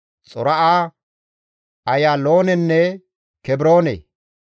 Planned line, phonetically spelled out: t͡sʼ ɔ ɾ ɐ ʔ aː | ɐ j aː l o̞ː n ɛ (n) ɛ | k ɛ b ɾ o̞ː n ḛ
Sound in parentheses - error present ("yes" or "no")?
yes